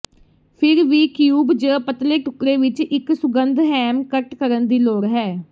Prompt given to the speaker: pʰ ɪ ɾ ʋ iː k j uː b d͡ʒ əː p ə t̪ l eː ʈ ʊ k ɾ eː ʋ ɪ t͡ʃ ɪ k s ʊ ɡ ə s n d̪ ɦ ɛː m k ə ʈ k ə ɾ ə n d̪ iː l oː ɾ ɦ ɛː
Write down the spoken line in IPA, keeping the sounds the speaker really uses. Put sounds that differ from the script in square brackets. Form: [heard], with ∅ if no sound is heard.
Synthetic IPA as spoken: pʰ ɪ ɾ ʋ iː k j uː b d͡ʒ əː p ə t̪ l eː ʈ ʊ k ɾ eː ʋ ɪ t͡ʃ ɪ k s ʊ ɡ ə [∅] n d̪ ɦ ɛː m k ə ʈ k ə ɾ ə n d̪ iː l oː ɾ ɦ ɛː